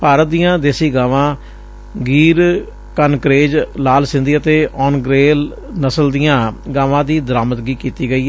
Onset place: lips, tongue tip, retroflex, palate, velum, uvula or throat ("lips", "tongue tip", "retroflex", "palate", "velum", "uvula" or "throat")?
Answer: lips